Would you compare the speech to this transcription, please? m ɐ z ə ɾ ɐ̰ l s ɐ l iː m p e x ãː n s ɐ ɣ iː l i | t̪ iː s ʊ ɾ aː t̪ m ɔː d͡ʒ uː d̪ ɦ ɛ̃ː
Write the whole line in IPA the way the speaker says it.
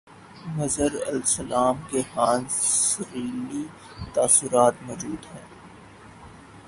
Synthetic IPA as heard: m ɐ z ə ɾ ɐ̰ l s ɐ l aː m k e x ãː n s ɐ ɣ iː l i | t̪ aː s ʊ ɾ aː t̪ m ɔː d͡ʒ uː d̪ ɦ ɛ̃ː